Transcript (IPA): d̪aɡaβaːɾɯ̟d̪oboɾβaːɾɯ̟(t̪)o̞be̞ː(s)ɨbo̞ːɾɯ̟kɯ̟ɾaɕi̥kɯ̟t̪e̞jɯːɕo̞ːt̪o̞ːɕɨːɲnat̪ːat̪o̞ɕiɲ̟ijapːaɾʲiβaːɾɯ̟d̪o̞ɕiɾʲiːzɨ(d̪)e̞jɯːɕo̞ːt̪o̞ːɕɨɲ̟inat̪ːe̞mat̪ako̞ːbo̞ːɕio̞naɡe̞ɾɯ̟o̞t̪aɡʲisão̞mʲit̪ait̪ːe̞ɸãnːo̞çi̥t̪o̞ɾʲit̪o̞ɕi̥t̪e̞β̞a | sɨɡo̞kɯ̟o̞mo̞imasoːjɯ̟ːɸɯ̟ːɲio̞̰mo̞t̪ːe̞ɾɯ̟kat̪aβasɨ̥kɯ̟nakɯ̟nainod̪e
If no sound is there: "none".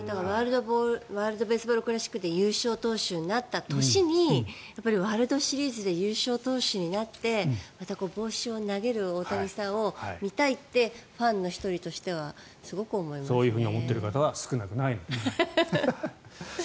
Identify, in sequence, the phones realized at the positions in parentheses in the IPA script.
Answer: d̪, s, d̪

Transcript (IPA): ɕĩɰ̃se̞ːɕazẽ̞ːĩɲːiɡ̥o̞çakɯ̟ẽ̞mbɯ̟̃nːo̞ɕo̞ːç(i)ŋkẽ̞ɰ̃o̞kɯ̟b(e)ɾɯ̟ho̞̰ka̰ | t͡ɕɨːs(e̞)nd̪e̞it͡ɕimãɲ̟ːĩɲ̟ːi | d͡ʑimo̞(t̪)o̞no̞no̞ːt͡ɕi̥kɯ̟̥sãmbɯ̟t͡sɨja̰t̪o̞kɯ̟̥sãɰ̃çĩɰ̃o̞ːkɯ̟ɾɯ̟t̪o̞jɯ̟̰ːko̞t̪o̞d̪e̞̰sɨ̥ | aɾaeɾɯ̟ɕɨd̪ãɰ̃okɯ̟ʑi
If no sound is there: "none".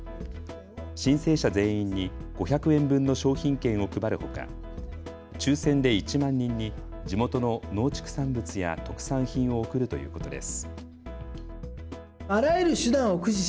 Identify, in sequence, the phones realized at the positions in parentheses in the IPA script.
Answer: ĩ, a, ẽ̞, t̪

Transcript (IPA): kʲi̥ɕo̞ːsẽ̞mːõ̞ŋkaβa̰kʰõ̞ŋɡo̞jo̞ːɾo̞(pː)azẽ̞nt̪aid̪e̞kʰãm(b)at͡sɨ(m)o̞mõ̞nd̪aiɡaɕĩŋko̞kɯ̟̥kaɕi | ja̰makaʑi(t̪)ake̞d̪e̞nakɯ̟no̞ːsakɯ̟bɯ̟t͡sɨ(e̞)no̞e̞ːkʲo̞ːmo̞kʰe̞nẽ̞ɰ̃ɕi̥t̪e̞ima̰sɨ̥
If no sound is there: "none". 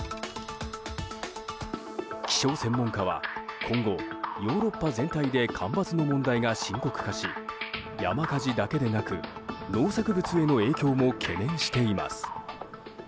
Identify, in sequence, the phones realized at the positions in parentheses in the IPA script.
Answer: pː, b, n, d̪, e̞

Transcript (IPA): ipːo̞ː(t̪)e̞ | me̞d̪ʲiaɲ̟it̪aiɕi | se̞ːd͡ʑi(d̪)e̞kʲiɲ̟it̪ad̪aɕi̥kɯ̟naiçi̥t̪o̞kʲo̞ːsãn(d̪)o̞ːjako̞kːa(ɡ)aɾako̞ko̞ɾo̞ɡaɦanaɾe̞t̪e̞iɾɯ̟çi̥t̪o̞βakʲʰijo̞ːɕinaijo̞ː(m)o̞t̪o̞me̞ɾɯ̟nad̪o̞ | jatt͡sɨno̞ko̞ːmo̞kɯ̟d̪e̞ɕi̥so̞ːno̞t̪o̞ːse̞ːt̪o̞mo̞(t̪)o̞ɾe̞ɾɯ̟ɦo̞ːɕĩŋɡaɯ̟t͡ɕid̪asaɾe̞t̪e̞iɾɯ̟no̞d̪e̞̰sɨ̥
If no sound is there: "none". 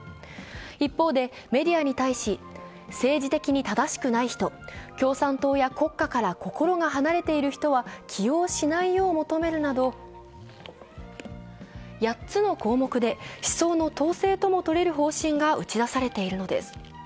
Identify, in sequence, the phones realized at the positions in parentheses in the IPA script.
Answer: d̪, t̪, t̪, k, m, t̪

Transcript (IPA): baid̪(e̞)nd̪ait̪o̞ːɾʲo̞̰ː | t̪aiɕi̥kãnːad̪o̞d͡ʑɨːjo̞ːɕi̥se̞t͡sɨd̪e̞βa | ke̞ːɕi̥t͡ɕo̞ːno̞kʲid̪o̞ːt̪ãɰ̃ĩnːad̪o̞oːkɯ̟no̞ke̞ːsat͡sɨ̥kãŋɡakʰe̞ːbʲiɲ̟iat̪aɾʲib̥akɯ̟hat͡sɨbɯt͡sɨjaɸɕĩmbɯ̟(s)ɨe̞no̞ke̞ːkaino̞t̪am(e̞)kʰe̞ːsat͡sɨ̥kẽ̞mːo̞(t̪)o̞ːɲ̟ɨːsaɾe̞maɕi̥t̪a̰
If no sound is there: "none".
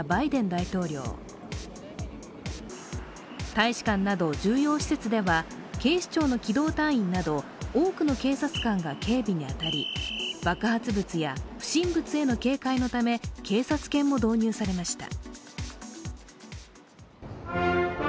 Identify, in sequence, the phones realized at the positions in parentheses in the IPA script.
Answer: ẽ̞, t͡s, e̞, d̪

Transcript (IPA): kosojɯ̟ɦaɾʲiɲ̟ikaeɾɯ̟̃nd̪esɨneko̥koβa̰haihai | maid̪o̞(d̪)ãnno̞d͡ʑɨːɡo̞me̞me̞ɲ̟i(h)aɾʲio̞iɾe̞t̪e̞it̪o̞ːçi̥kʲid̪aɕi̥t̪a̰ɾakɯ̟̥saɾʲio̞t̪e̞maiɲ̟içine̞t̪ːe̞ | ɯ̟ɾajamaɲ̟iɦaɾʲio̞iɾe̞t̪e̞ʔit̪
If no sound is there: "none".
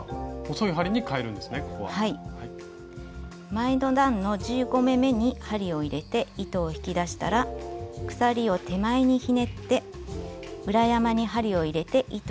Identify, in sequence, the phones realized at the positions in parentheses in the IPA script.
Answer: d̪, h

